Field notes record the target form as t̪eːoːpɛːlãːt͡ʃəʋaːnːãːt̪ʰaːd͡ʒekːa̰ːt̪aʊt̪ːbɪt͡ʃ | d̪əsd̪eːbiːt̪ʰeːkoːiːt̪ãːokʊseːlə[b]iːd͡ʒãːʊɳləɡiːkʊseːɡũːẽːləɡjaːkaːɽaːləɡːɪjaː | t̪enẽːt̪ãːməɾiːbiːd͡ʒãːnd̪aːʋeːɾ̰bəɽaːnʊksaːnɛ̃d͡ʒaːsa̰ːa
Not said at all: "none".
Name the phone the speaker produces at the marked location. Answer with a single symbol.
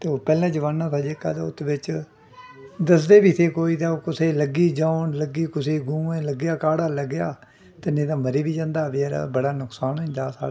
ɡ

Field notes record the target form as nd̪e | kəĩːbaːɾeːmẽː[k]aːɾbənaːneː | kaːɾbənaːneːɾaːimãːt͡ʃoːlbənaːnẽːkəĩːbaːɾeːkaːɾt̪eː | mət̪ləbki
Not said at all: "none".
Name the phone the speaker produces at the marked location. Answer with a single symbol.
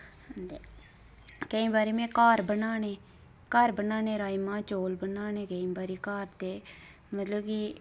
k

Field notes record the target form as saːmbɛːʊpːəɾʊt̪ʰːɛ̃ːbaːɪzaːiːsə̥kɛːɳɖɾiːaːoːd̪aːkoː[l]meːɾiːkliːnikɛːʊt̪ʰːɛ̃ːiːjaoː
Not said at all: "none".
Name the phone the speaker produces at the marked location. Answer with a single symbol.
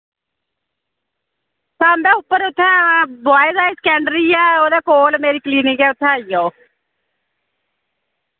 l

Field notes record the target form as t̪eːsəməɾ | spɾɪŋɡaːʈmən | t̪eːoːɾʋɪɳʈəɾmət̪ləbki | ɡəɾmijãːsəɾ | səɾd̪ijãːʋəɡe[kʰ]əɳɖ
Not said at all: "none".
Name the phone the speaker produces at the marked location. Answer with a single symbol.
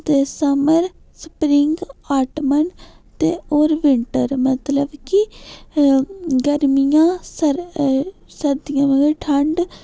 ʈʰ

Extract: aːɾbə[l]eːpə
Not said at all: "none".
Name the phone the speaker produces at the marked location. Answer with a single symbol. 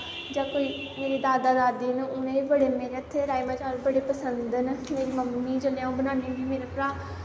ɽ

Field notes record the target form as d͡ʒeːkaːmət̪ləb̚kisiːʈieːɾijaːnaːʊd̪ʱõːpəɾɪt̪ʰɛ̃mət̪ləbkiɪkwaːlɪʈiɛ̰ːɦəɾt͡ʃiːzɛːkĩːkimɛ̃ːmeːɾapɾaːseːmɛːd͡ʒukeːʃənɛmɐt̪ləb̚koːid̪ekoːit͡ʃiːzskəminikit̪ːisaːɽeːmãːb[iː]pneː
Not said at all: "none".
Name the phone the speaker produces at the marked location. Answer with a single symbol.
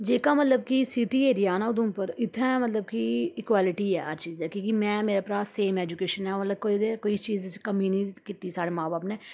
aː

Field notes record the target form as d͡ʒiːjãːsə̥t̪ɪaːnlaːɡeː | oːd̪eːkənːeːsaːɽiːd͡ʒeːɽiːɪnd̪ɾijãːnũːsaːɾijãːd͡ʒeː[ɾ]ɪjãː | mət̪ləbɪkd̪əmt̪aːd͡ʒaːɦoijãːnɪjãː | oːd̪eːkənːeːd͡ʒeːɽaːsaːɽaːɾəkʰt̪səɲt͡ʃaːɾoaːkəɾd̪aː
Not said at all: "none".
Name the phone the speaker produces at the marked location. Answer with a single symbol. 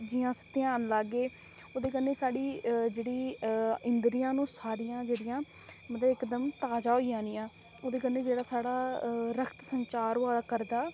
ɽ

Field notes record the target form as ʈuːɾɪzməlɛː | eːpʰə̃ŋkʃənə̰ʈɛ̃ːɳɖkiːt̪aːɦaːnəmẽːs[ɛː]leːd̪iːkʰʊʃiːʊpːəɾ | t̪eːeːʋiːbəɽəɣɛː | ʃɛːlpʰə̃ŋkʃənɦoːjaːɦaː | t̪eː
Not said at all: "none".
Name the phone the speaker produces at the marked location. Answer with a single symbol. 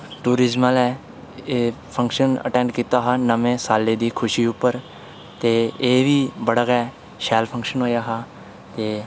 aː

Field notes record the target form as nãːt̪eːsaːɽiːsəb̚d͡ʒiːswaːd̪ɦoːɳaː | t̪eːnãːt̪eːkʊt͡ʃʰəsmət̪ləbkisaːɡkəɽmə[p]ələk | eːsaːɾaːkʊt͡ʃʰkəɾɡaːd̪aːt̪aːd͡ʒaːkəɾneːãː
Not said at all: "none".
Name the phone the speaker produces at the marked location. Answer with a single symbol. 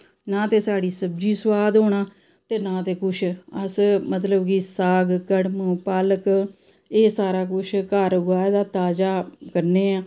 p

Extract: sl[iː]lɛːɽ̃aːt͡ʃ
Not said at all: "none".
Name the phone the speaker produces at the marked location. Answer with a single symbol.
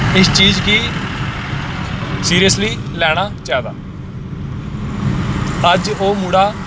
iː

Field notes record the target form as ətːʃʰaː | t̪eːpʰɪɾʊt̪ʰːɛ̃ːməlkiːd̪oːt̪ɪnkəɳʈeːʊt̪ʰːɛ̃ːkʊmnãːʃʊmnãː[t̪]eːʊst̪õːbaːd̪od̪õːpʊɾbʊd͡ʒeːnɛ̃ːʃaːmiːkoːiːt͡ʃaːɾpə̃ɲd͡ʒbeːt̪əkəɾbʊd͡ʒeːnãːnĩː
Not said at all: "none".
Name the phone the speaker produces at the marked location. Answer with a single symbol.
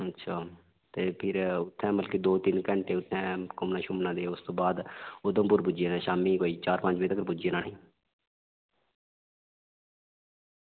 d̪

